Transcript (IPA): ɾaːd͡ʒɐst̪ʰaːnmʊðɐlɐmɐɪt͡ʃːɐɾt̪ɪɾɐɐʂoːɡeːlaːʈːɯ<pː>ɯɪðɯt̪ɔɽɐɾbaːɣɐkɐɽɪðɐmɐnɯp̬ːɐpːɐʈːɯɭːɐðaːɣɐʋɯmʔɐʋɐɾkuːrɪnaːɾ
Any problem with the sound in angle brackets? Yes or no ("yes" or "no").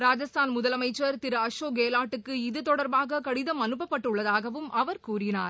yes